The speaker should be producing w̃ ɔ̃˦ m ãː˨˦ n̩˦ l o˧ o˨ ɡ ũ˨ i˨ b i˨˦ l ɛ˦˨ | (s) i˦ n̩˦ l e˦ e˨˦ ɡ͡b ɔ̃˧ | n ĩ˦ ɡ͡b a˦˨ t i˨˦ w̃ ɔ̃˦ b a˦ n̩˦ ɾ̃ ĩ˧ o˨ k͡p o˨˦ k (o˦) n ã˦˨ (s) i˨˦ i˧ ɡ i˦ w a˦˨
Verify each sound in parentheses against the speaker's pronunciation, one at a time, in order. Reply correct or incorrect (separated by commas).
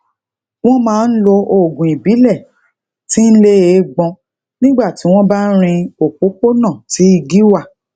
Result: incorrect, correct, incorrect